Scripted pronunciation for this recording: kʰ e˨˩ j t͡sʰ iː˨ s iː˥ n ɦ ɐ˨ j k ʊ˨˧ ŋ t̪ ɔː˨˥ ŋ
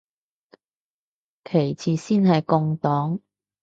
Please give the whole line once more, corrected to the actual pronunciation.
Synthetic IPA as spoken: kʰ e˨˩ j t͡sʰ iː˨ s iː˥ n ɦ ɐ˨ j k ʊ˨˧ ŋ t̪ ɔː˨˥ ŋ